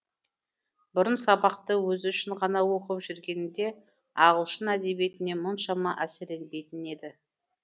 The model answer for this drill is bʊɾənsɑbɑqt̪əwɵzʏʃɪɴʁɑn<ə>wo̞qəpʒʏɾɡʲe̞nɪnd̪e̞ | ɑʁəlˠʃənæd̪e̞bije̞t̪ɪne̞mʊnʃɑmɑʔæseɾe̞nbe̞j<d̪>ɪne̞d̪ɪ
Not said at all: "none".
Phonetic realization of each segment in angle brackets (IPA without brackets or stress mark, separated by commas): ɑ, t̪